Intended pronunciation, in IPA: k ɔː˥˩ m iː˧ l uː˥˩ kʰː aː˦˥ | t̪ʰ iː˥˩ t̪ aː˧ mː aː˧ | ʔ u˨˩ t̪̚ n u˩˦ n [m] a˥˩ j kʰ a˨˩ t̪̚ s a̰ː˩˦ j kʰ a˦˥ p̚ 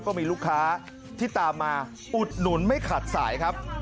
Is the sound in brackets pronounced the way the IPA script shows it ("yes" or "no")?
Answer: yes